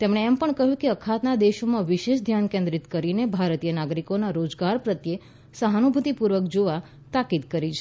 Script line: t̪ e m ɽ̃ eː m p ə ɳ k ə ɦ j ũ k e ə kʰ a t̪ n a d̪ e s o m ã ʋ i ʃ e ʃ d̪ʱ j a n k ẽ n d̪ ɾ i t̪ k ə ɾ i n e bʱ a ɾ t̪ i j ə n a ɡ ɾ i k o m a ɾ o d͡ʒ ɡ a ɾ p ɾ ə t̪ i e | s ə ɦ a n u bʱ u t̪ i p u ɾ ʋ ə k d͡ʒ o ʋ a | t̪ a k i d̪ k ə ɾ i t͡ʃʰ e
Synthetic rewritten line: t̪ e m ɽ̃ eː m p ə ɳ k ə ɦ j ũ k e ə kʰ a t̪ n a d̪ e ʃ o m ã ʋ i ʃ e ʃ d̪ʱ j a n k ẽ n d̪ ɾ i t̪ k ə ɾ i n e bʱ a ɾ t̪ i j ə n a ɡ ɾ i k o n a ɾ o d͡ʒ ɡ a ɾ p ɾ ə t̪ j e | s ə ɦ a n u bʱ u t̪ i p u ɾ ʋ ə k d͡ʒ o ʋ a | t̪ a k i d̪ k ə ɾ i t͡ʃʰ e